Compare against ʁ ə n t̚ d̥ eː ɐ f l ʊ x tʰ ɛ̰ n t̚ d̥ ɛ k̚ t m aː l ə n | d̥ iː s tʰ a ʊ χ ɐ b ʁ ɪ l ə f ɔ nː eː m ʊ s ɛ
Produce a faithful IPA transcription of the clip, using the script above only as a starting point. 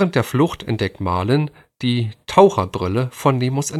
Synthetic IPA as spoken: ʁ ə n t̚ d̥ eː ɐ f l ʊ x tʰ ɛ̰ n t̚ d̥ ɛ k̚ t m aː l ə n | d̥ iː tʰ a ʊ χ ɐ b ʁ ɪ l ə f ɔ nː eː m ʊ s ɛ